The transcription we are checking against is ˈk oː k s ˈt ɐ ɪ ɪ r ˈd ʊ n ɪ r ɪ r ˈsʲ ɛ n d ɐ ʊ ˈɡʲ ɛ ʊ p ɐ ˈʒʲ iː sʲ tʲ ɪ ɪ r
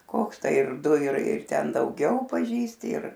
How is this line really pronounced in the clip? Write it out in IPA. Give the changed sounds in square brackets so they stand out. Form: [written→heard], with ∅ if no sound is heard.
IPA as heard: ˈk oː k s ˈt ɐ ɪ ɪ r ˈd ʊ [n→∅] ɪ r ɪ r [ˈsʲ→ˈtʲ] ɛ n d ɐ ʊ ˈɡʲ ɛ ʊ p ɐ ˈʒʲ iː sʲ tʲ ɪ ɪ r